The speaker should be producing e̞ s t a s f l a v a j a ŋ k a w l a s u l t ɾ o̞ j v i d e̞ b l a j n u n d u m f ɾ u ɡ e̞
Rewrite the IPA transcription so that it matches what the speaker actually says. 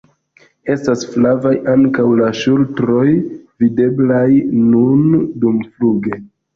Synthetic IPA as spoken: e̞ s t a s f l a v a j a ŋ k a w l a ʃ u l t ɾ o̞ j v i d e̞ b l a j n u n d u m f l u ɡ e̞